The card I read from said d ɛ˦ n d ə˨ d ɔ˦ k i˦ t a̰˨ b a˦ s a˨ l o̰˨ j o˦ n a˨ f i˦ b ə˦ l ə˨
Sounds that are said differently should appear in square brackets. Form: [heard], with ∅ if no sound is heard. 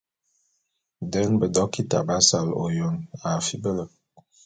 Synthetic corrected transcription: d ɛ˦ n [b] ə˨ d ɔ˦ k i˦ t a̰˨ b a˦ s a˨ l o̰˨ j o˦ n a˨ f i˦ b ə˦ l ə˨